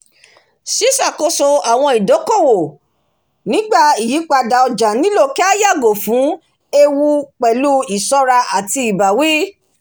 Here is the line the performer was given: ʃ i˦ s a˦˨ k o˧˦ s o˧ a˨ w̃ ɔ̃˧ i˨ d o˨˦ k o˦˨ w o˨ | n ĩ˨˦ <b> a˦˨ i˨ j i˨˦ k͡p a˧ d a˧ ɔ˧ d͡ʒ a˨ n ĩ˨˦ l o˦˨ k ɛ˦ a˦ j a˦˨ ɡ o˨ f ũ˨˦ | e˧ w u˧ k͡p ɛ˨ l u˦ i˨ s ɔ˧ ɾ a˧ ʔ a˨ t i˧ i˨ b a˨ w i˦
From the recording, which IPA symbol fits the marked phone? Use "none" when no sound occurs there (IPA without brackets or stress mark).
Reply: ɡ͡b